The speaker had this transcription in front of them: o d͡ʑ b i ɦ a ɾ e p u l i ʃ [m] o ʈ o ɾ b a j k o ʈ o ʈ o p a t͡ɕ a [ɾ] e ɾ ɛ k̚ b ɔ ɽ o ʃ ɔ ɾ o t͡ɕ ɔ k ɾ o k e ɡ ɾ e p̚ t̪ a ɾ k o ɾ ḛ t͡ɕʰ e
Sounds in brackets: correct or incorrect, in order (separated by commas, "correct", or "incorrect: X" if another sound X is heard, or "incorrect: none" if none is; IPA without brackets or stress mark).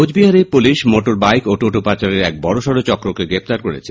correct, correct